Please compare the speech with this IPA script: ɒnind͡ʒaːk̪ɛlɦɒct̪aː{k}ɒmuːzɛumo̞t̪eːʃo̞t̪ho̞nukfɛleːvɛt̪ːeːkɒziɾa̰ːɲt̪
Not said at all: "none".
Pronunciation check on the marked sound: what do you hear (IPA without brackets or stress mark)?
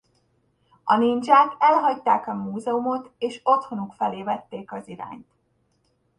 k